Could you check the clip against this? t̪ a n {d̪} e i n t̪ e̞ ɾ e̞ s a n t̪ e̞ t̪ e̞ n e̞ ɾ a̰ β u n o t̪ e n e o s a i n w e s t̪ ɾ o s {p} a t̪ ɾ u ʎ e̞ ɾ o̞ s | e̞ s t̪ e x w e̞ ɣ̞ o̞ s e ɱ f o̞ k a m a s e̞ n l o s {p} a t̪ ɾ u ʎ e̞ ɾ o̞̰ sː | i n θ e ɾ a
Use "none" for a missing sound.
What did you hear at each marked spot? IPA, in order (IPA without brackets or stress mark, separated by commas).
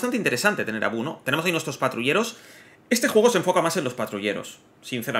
t̪, p, p